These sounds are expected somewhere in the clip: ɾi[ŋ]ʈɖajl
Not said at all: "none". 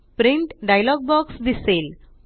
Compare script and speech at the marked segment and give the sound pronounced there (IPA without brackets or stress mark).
ɳ